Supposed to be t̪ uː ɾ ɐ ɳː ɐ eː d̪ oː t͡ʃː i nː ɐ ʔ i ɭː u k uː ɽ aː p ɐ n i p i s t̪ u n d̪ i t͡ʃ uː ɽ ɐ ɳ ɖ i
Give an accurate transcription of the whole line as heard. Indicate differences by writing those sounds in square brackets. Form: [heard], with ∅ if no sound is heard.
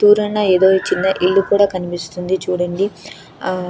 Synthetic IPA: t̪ uː ɾ ɐ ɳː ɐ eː d̪ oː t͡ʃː i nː ɐ ʔ i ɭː u k uː ɽ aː [k] ɐ n i p i s t̪ u n d̪ i t͡ʃ uː ɽ ɐ ɳ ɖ i